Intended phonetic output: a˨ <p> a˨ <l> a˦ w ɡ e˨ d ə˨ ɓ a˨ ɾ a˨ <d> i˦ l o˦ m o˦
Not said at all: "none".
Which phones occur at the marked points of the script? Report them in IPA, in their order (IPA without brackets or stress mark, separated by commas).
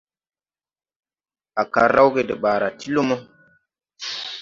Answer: k, ɾ, t